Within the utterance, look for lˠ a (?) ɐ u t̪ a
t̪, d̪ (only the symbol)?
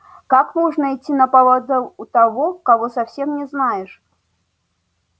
d̪